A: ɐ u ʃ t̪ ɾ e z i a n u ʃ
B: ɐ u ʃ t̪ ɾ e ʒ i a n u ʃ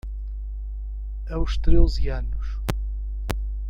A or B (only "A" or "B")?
A